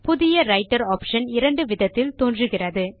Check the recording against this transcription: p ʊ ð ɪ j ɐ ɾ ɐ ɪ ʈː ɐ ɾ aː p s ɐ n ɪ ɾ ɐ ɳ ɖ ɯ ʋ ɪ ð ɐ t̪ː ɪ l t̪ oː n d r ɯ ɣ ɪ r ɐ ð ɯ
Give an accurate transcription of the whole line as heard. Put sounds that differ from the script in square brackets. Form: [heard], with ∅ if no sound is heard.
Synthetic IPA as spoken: p ʊ ð ɪ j ɐ ɾ ɐ ɪ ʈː ɐ ɾ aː p [ʂ] ɐ n ɪ ɾ ɐ ɳ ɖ ɯ ʋ ɪ ð ɐ t̪ː ɪ l t̪ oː n d r ɯ ɣ ɪ r ɐ ð ɯ